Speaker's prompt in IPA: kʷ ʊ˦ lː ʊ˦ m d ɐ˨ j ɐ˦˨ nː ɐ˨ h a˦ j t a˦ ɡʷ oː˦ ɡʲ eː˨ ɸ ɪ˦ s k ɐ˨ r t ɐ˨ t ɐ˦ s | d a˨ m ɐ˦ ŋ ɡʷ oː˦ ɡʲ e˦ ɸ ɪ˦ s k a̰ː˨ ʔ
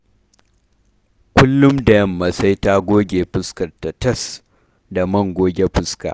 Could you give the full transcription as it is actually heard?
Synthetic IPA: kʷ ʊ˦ lː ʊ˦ m d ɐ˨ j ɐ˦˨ mː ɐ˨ s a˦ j t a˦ ɡʷ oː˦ ɡʲ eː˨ ɸ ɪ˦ s k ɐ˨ r t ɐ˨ t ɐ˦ s | d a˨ m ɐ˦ ŋ ɡʷ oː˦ ɡʲ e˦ ɸ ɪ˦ s k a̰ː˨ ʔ